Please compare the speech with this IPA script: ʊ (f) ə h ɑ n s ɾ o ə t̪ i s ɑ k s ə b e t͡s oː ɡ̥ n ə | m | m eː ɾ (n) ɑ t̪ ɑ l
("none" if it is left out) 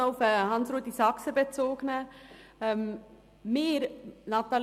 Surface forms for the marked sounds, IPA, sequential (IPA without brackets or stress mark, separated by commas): f, n